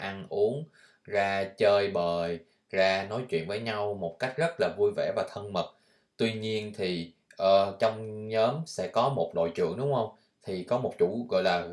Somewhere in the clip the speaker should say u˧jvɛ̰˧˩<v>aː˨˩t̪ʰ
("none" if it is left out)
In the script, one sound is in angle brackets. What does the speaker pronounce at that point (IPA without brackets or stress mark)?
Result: v